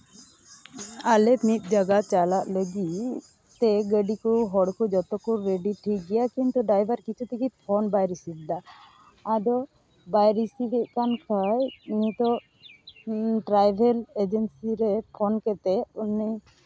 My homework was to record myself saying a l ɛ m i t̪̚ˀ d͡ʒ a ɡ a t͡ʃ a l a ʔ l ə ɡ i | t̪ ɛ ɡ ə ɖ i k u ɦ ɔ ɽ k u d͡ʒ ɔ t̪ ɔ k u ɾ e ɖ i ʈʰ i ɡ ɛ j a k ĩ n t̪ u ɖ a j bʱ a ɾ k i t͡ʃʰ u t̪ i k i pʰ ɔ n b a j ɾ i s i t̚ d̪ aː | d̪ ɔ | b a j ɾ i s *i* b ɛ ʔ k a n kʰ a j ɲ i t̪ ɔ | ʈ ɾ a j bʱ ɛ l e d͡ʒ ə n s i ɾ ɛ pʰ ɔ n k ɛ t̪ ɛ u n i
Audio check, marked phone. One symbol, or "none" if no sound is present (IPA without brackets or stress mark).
i